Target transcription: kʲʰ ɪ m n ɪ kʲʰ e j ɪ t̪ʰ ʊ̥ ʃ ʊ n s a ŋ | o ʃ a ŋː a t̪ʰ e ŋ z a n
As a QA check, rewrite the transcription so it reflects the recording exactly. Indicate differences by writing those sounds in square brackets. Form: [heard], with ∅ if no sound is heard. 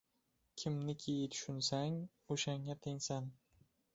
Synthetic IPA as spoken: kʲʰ ɪ m n ɪ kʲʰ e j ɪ t̪ʰ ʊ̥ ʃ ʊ n s a ŋ | o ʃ a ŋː a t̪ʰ e ŋ [s] a n